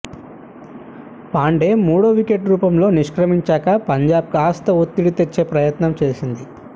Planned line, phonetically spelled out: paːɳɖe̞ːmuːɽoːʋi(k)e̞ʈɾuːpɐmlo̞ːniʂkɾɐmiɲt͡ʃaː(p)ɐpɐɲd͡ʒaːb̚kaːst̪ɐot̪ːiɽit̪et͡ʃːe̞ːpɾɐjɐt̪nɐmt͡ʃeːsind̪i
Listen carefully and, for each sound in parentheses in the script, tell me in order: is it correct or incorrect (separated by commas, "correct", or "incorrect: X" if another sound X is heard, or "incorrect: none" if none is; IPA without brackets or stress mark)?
correct, incorrect: k